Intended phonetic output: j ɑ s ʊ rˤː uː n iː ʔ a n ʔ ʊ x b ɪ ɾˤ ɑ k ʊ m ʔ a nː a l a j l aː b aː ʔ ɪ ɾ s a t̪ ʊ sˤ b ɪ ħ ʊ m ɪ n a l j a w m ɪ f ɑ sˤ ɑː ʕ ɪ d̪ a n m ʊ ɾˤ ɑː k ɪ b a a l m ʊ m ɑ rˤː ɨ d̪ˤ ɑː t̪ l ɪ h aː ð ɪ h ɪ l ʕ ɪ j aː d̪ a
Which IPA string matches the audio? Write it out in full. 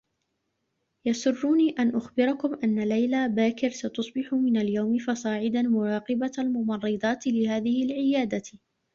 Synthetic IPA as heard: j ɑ s ʊ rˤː uː n iː ʔ a n ʔ ʊ x b ɪ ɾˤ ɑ k ʊ m ʔ a nː a l a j l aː b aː k ɪ ɾ s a t̪ ʊ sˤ b ɪ ħ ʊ m ɪ n a l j a w m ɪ f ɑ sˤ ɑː ʕ ɪ d̪ a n m ʊ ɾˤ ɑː q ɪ b a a l m ʊ m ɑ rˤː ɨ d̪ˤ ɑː t̪ l ɪ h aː ð ɪ h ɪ l ʕ ɪ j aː d̪ a